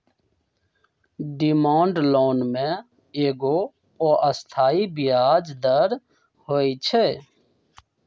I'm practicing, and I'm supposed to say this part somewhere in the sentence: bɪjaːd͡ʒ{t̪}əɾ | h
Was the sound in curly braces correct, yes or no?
no